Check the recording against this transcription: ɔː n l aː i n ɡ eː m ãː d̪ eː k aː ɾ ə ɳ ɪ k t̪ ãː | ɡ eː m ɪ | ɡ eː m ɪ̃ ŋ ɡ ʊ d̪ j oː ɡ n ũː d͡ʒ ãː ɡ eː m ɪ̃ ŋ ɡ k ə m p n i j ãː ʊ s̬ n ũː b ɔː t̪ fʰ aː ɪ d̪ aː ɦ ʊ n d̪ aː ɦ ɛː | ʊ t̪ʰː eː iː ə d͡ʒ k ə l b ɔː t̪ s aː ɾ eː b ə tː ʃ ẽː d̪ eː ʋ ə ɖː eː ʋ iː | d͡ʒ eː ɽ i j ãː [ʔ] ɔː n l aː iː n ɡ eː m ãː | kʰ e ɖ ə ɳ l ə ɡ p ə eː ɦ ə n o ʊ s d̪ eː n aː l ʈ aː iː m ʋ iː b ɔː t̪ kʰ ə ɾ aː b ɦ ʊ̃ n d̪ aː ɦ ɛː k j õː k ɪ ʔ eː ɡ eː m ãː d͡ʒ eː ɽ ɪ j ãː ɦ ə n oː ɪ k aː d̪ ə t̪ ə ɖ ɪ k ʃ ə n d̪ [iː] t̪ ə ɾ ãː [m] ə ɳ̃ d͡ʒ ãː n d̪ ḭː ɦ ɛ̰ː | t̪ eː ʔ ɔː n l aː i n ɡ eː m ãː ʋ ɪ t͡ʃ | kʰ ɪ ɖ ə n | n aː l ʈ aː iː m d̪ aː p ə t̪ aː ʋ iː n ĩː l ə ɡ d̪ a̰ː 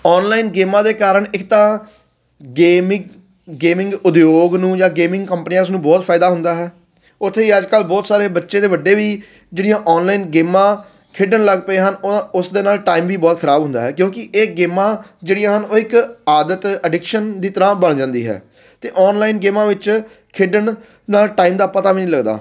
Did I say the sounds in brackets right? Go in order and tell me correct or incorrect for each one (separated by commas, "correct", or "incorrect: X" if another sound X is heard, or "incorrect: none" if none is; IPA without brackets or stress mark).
correct, correct, incorrect: b